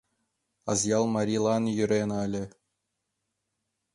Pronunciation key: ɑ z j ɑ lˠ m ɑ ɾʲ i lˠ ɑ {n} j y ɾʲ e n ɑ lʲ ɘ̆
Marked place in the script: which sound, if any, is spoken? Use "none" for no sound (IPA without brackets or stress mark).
n